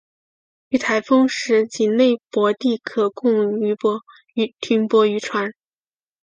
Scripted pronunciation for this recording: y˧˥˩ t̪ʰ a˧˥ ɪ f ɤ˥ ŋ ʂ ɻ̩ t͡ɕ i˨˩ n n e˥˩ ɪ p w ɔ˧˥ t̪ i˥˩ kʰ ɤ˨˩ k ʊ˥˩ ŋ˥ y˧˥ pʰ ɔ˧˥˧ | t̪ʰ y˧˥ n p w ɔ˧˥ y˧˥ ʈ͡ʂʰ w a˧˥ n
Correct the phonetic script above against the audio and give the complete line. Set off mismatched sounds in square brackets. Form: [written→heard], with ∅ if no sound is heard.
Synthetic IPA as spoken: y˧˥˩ t̪ʰ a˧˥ ɪ f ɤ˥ ŋ ʂ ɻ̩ t͡ɕ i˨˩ n n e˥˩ ɪ p w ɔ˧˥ t̪ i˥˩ kʰ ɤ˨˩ k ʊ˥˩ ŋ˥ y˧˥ [pʰ→p] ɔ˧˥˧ | t̪ʰ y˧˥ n p w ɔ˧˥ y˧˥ ʈ͡ʂʰ w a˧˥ n